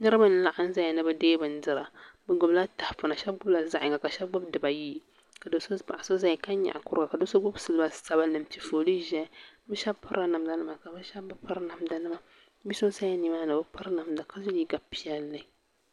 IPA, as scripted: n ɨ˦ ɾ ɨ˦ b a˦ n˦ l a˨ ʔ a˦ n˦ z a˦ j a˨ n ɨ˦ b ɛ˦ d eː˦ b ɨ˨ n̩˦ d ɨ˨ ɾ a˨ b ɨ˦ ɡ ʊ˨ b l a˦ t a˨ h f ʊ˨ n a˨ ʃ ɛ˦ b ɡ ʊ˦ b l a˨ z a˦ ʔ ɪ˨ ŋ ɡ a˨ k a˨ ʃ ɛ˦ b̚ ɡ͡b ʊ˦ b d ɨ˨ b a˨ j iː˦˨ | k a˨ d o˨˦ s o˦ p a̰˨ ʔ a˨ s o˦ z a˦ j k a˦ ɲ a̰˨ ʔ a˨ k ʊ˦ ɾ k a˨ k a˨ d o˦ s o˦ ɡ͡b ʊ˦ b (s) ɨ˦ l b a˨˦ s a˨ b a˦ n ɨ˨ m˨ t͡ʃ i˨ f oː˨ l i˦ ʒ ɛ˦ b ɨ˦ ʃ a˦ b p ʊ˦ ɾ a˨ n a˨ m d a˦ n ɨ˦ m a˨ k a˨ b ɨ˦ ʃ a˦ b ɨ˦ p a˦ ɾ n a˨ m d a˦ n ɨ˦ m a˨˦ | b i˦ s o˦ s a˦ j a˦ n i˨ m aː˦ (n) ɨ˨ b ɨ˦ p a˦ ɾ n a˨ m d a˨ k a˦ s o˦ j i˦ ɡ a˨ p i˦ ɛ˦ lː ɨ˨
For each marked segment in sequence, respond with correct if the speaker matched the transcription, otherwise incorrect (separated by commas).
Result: correct, correct